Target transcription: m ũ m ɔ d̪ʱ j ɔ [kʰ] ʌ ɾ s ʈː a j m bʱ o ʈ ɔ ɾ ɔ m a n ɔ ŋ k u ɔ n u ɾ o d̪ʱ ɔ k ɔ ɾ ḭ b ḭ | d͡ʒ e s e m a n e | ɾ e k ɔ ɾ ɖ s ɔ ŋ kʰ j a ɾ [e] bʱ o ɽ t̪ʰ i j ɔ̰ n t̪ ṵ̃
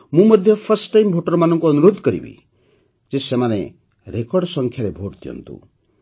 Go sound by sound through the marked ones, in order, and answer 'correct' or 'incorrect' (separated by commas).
incorrect, correct